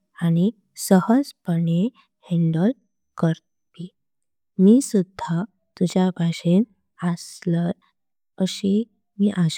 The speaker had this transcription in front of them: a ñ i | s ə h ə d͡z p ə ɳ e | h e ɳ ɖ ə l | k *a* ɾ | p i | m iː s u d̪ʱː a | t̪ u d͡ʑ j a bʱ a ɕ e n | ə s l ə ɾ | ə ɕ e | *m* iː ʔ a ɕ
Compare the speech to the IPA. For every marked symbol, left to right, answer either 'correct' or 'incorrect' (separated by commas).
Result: incorrect, correct